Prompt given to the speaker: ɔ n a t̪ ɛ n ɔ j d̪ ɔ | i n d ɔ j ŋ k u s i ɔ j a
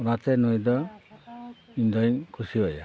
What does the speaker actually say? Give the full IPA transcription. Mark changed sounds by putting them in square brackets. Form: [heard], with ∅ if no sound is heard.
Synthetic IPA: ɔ n a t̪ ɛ n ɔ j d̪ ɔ | i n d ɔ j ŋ [kʰ] u s i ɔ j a

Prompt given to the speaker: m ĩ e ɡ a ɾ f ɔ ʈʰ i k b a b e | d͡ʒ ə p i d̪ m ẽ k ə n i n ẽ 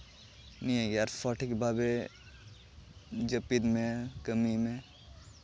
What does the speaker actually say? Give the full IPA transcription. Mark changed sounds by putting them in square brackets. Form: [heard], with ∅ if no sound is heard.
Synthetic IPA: [n] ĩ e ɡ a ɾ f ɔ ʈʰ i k b a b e | d͡ʒ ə p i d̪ m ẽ k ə [m] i [m] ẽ

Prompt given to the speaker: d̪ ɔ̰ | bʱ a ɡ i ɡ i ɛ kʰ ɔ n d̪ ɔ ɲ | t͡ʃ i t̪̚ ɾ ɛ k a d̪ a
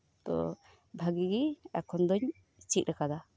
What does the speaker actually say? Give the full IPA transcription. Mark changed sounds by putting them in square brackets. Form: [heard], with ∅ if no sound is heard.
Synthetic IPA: [t̪] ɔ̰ | bʱ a ɡ i ɡ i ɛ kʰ ɔ n d̪ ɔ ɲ | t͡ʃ i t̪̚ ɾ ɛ k a d̪ a

